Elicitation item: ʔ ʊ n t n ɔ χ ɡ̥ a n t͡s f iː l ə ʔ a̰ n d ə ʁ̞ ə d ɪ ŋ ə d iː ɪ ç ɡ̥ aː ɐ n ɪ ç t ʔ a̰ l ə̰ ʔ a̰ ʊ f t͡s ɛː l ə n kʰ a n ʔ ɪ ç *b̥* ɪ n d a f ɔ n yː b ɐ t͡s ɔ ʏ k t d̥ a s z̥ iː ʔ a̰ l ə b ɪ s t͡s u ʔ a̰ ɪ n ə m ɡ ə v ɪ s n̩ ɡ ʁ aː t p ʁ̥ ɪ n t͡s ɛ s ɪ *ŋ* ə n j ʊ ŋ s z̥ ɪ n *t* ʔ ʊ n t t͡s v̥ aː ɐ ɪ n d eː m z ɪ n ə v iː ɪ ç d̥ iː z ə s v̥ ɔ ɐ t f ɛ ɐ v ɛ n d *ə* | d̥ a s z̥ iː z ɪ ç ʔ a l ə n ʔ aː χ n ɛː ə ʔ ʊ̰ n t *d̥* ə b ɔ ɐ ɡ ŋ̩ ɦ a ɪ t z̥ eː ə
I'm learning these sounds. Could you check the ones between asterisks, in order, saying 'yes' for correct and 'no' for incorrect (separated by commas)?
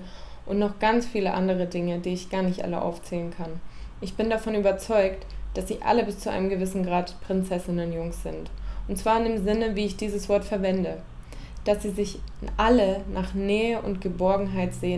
yes, no, yes, yes, no